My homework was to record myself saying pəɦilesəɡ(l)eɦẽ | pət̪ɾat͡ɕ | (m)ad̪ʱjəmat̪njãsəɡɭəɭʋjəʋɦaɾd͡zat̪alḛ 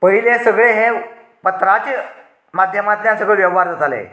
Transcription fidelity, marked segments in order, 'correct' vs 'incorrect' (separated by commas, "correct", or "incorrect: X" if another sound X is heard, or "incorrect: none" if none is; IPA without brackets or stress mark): incorrect: ɭ, correct